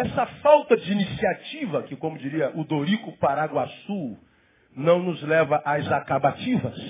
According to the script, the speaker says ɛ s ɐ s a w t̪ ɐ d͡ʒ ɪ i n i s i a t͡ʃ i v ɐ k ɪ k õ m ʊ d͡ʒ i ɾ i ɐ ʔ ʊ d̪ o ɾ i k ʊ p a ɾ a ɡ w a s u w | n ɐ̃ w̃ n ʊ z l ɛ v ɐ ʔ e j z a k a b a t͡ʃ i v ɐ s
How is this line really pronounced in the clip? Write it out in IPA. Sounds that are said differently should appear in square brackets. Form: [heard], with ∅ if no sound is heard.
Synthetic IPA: ɛ s ɐ [f] a w t̪ ɐ d͡ʒ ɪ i n i s i a t͡ʃ i v ɐ k ɪ k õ m ʊ d͡ʒ i ɾ i ɐ ʔ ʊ d̪ o ɾ i k ʊ p a ɾ a ɡ w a s u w | n ɐ̃ w̃ n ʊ z l ɛ v ɐ ʔ [a] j z a k a b a t͡ʃ i v ɐ s